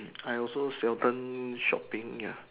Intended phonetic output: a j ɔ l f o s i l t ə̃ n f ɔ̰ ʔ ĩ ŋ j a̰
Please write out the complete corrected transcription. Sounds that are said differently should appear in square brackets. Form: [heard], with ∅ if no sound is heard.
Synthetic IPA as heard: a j ɔ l [s] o s [ɛ] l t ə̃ n [ʃ] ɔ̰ [p] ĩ ŋ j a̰